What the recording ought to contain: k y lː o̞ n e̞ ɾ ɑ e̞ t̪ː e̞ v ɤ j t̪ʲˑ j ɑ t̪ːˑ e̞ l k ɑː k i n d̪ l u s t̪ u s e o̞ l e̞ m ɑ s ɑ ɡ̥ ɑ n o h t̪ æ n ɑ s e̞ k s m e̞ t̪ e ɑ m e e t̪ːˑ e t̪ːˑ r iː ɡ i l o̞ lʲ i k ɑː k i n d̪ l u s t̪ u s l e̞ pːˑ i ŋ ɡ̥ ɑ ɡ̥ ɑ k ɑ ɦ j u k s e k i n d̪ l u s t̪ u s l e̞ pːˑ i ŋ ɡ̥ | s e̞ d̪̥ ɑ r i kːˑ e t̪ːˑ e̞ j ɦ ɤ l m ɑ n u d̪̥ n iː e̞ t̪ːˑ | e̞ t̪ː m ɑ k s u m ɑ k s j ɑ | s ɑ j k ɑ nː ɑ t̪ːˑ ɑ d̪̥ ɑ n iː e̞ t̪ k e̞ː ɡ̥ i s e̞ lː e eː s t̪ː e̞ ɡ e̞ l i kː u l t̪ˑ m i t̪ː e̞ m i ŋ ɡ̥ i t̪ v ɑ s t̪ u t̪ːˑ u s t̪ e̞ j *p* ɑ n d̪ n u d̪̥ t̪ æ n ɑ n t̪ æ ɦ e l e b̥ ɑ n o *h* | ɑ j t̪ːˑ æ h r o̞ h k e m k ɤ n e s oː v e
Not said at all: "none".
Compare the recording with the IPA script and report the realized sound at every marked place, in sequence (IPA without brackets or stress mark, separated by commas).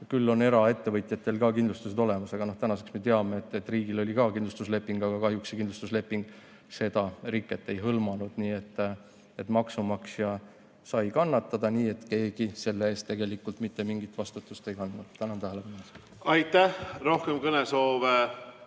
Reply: k, s